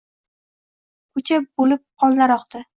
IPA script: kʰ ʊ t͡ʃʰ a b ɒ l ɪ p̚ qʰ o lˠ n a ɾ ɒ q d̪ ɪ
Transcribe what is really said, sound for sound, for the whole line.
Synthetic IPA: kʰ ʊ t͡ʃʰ a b o l ɪ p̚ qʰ ɒ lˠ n a ɾ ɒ q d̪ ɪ